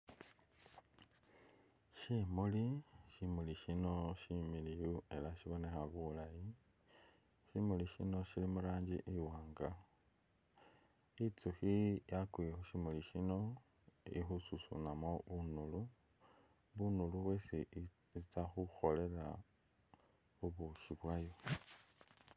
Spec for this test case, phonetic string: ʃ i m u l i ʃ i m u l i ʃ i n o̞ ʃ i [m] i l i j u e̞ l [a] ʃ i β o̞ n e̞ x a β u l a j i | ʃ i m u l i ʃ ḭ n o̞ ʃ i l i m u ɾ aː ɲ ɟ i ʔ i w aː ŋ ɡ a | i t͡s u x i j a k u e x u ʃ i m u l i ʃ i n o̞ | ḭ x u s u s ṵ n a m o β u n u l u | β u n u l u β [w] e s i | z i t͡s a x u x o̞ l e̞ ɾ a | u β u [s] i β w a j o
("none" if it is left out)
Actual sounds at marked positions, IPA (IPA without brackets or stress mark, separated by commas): m, a, w, ʃ